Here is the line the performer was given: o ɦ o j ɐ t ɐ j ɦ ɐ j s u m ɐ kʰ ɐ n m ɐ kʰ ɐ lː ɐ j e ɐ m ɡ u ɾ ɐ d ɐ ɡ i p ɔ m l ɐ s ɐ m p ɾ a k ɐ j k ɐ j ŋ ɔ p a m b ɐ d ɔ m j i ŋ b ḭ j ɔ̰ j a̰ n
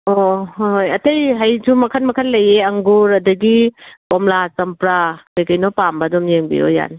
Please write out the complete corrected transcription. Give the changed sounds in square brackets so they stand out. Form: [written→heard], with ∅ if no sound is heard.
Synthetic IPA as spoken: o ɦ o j ɐ t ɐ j ɦ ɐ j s u m ɐ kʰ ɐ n m ɐ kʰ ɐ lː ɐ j e ɐ [m→ŋ] ɡ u ɾ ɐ d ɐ ɡ i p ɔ m l [ɐ→a] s ɐ m p ɾ a k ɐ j k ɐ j [ŋ→n] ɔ p a m b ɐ d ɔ m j [i→e] ŋ b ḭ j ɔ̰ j a̰ n